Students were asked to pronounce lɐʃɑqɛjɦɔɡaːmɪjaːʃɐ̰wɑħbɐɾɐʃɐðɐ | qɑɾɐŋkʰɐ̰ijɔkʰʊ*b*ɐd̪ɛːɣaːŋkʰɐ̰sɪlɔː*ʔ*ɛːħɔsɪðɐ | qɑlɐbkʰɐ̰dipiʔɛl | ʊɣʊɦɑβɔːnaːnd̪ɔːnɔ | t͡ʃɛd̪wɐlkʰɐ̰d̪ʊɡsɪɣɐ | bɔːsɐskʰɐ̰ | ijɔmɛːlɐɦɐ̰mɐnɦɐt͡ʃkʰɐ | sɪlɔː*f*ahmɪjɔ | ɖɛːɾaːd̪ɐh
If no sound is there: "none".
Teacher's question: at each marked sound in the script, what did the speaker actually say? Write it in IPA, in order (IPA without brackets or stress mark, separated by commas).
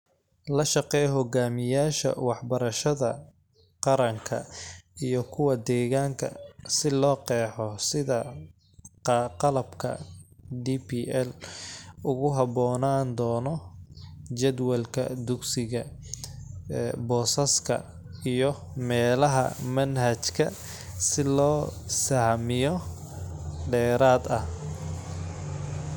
w, q, s